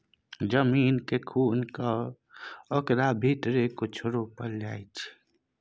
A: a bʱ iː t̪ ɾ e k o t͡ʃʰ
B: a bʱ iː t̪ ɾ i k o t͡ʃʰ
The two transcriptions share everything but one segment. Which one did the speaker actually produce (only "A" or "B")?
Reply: A